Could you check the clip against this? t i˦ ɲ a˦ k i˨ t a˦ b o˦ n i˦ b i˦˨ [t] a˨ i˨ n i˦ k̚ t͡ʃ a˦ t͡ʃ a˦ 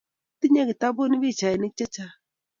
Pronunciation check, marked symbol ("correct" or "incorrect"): incorrect